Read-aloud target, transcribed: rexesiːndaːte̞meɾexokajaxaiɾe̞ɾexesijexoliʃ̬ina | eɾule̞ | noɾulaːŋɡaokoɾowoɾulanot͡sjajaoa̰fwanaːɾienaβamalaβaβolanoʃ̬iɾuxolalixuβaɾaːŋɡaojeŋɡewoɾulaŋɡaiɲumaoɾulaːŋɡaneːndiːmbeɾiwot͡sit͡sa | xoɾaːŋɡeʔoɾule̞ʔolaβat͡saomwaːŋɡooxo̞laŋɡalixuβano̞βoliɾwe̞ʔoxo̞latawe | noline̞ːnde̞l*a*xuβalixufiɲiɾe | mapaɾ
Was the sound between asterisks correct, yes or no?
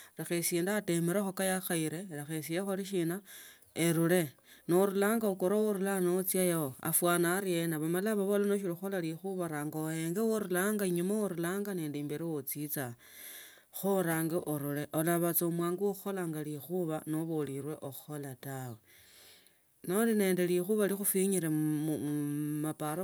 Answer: no